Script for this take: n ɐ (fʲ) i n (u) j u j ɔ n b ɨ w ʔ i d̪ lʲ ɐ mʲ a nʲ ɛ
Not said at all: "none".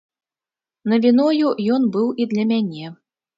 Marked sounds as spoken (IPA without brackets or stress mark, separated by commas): vʲ, ɔ